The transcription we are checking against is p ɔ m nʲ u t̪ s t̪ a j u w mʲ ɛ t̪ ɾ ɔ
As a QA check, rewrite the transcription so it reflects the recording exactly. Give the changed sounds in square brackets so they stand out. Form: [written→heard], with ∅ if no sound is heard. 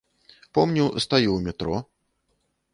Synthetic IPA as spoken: p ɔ m nʲ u [t̪→∅] s t̪ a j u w mʲ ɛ t̪ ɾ ɔ